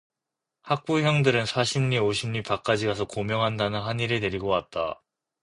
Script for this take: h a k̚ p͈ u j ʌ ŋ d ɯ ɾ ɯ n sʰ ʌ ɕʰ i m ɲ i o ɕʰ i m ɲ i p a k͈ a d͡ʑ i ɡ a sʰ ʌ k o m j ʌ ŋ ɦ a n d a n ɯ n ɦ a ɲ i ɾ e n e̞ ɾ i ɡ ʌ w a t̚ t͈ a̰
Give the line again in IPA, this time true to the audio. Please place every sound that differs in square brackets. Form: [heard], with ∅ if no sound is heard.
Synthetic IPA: h a k̚ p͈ u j ʌ ŋ d ɯ ɾ ɯ n sʰ [a] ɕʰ i m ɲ i o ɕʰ i m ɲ i p a k͈ a d͡ʑ i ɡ a sʰ ʌ k o m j ʌ ŋ ɦ a n d a n ɯ n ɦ a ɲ i ɾ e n e̞ ɾ i ɡ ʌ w a t̚ t͈ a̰